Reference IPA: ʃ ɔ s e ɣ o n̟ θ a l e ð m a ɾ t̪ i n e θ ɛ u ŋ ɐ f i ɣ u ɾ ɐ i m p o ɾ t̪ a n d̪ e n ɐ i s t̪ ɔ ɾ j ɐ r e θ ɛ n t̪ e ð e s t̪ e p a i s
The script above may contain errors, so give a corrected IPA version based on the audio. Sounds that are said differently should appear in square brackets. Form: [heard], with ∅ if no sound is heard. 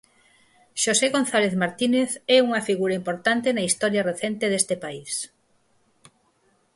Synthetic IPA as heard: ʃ [o] s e ɣ o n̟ θ a l e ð m a ɾ t̪ i n e θ ɛ u ŋ ɐ f i ɣ u ɾ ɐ i m p o ɾ t̪ a n [t̪] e n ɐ i s t̪ ɔ ɾ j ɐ r e θ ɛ n t̪ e ð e s t̪ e p a i s